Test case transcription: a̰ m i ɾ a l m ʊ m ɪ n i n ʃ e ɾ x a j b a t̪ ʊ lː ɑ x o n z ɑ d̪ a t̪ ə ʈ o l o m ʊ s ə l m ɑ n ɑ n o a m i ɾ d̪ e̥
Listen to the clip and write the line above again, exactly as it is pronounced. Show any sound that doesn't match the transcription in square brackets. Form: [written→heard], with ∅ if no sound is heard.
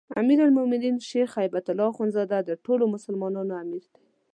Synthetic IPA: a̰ m i ɾ a l m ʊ m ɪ n i n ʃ e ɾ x a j b a t̪ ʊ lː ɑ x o n z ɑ d̪ a [t̪→d̪] ə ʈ o l o m ʊ s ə l m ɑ n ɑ n o a m i ɾ d̪ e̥